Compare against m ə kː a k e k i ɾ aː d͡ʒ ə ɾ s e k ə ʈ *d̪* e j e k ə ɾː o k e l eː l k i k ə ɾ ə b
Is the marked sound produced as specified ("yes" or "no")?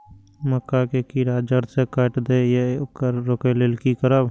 yes